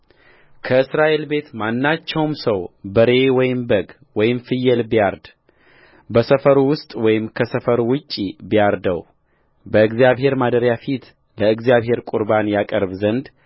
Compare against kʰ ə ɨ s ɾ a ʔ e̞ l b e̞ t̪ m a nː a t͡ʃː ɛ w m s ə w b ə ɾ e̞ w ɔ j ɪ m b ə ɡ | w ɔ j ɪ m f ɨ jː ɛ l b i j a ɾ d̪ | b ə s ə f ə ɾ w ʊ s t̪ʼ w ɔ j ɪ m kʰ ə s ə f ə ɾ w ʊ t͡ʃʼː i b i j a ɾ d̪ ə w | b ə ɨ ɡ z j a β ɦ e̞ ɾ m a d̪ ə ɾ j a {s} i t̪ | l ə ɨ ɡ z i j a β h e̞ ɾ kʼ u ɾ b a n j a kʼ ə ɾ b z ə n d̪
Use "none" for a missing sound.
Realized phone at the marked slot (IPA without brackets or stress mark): f